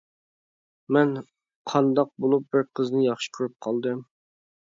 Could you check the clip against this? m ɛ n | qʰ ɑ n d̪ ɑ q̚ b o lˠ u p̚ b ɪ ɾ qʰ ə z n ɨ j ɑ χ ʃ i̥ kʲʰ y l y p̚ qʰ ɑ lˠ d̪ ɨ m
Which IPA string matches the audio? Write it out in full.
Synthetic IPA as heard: m ɛ n | qʰ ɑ n d̪ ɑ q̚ b o lˠ u p̚ b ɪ ɾ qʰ ə z n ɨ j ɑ χ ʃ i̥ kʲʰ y ɾ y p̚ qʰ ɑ lˠ d̪ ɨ m

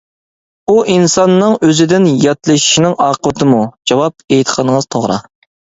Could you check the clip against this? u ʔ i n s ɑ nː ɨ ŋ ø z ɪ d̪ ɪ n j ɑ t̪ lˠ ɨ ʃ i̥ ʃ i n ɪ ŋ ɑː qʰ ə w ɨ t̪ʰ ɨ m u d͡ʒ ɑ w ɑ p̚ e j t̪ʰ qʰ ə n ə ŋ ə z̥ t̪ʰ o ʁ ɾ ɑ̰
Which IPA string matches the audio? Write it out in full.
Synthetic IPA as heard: u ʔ i n s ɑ nː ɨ ŋ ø z ɪ d̪ ɪ n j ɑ t̪ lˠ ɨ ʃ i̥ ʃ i n ɪ ŋ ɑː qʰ ə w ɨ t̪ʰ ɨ m u d͡ʒ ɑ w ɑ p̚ e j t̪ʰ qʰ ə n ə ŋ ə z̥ t̪ʰ o ʁ ɾ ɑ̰

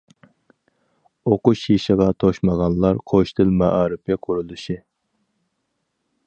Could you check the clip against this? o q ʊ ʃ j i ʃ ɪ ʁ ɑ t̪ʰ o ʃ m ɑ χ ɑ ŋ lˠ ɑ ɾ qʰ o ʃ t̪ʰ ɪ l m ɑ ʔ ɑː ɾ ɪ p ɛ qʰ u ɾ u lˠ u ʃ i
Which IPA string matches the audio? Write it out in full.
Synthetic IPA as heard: o q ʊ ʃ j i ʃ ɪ ʁ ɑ t̪ʰ o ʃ m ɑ ʁ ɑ n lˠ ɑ ɾ qʰ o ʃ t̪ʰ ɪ l m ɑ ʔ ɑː ɾ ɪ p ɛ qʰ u ɾ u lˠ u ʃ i

